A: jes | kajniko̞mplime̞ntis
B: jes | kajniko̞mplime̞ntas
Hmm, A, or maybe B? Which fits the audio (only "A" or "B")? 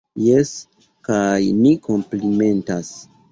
B